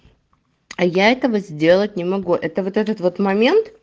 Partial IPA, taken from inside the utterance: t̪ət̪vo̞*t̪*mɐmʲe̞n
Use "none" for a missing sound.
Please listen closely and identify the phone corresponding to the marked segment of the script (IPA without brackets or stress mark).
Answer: t̪